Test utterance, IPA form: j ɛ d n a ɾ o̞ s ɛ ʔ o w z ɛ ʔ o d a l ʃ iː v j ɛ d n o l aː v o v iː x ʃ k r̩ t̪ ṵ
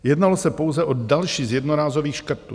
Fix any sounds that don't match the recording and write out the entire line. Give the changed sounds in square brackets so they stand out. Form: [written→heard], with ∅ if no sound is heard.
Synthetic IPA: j ɛ d n a [ɾ→l] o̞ s ɛ [ʔ→p] o w z ɛ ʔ o d a l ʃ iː [v→z] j ɛ d n o [l→ɾ] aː [v→z] o v iː x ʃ k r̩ t̪ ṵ